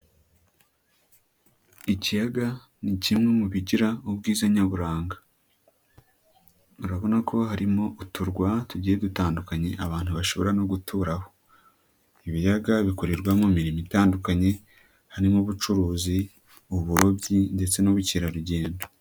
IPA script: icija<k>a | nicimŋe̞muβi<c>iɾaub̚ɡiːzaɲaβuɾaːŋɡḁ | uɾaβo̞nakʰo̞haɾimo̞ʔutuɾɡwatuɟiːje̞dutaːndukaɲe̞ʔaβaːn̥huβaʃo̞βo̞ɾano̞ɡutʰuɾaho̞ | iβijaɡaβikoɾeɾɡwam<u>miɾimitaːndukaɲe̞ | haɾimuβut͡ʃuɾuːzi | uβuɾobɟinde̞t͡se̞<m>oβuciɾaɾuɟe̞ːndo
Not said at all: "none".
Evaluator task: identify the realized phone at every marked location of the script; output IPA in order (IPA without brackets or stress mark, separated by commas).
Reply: ɡ, ɟ, o, n